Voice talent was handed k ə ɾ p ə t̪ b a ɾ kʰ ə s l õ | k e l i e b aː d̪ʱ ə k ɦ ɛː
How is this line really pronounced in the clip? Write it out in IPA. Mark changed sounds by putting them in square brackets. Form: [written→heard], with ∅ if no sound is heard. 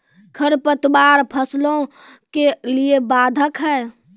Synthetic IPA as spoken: [k→kʰ] ə ɾ p ə t̪ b a ɾ [kʰ→pʰ] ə s l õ | k e l i e b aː d̪ʱ ə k ɦ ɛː